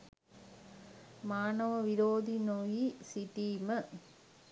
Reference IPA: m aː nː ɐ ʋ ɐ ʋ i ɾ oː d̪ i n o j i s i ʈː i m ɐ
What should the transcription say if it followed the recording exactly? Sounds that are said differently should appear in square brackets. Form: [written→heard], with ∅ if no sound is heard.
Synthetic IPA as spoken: m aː [nː→n] ɐ ʋ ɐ ʋ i ɾ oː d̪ i n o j i s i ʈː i m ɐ